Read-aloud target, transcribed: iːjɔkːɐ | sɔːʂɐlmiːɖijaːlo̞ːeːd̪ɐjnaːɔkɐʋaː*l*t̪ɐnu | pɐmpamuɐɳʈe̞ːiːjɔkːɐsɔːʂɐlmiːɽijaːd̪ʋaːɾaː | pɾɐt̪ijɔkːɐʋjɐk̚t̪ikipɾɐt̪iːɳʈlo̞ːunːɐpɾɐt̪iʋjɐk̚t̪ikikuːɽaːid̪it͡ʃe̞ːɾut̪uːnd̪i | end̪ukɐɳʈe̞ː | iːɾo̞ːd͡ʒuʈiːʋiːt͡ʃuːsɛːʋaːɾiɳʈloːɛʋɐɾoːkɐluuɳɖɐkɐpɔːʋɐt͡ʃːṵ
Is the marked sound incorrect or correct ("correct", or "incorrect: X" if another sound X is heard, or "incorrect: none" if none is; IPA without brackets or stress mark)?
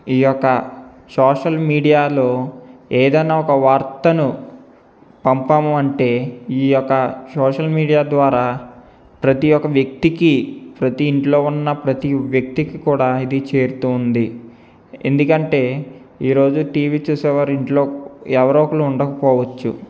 incorrect: ɾ